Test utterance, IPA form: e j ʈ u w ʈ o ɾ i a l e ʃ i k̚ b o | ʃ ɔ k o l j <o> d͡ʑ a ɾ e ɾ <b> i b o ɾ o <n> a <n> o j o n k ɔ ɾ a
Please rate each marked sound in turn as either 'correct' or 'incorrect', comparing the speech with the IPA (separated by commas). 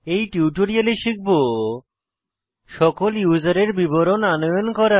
incorrect, correct, correct, correct